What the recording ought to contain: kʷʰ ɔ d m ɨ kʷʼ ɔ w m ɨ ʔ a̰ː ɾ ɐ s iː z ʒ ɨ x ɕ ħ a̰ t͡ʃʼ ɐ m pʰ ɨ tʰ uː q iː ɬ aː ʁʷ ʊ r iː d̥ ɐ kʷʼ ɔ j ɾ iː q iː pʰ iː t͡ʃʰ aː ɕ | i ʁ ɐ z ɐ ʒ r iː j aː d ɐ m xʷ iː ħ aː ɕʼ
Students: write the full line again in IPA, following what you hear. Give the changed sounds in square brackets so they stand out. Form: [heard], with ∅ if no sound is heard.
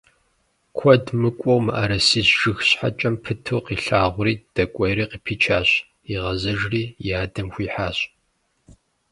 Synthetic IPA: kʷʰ ɔ d m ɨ kʷʼ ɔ w m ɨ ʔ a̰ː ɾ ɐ s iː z ʒ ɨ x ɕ ħ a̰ t͡ʃʼ ɐ m pʰ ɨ tʰ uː q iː ɬ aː ʁʷ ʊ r iː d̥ ɐ kʷʼ ɔ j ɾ iː q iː pʰ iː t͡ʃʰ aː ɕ | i ʁ ɐ z ɐ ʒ r iː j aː d ɐ m xʷ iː ħ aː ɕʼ